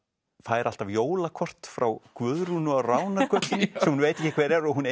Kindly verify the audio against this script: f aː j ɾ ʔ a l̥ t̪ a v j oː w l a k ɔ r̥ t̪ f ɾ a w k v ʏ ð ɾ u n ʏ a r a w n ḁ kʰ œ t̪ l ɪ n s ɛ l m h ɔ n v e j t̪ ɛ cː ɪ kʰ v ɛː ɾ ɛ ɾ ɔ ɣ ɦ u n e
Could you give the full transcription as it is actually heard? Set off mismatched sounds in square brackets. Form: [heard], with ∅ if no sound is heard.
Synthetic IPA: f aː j ɾ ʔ a l̥ t̪ a v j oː w l a [kʰ] ɔ r̥ t̪ f ɾ a w k v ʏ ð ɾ u n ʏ a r a w n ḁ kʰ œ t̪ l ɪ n s ɛ [∅] m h [u] n v e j t̪ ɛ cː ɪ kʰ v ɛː ɾ ɛ ɾ ɔ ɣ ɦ u n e